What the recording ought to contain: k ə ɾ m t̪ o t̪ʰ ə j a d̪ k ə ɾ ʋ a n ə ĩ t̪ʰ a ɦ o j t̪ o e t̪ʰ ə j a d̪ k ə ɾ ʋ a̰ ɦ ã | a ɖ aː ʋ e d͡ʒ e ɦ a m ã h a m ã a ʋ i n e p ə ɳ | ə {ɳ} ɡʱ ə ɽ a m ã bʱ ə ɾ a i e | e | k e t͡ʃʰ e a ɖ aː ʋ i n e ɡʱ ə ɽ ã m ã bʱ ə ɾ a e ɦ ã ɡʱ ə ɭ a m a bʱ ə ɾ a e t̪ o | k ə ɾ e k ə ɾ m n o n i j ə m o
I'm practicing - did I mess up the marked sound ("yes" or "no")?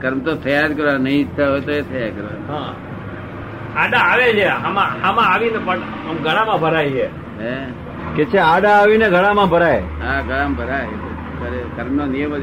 yes